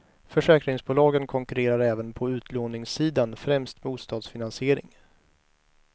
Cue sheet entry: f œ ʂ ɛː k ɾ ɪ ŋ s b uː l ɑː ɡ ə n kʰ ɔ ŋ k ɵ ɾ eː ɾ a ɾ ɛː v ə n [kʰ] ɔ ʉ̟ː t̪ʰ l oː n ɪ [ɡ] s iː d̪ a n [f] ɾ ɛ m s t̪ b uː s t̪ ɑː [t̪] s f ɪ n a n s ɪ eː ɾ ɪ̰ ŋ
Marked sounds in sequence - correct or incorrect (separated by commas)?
incorrect, incorrect, correct, incorrect